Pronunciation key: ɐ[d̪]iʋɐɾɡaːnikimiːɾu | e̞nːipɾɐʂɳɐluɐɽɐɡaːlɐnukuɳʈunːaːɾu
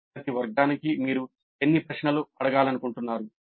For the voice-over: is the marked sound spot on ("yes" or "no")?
no